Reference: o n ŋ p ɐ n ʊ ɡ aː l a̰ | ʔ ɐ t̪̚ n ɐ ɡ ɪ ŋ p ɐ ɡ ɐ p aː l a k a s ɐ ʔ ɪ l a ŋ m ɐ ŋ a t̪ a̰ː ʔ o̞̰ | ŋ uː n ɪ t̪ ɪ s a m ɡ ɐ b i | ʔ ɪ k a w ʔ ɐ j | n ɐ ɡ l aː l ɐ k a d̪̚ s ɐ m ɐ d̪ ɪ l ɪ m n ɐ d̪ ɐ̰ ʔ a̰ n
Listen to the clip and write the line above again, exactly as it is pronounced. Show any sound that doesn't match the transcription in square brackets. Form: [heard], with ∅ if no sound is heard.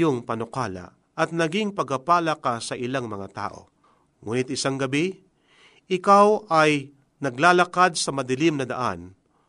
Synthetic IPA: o [∅] ŋ p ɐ n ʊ [k] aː l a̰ | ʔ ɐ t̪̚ n ɐ ɡ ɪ ŋ p ɐ ɡ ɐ p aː l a k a s ɐ ʔ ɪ l a ŋ m ɐ ŋ a t̪ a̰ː ʔ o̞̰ | ŋ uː n ɪ t̪ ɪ s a [ŋ] ɡ ɐ b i | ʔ ɪ k a w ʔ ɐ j | n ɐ ɡ l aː l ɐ k a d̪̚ s ɐ m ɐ d̪ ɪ l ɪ m n ɐ d̪ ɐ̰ ʔ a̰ n